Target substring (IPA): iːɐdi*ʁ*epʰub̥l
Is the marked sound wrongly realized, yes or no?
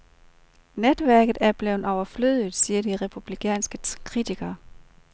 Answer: no